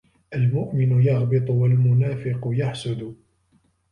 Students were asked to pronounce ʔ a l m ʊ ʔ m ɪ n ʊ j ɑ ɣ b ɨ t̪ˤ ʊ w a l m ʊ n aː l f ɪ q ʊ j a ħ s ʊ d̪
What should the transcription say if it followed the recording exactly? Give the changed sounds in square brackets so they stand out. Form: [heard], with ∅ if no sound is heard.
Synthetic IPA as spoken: ʔ a l m ʊ ʔ m ɪ n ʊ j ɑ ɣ b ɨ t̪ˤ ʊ w a l m ʊ n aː [∅] f ɪ q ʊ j a ħ s ʊ d̪